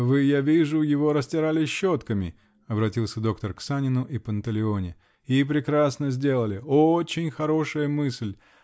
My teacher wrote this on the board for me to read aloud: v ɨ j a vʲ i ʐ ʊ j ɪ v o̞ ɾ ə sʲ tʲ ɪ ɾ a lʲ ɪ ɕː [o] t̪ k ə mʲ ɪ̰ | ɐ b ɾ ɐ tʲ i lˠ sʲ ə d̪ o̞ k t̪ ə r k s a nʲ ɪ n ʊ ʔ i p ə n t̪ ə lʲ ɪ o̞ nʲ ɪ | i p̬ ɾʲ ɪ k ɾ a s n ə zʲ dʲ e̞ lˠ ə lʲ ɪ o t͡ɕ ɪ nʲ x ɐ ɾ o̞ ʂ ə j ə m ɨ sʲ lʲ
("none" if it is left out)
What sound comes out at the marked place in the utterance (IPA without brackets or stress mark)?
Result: o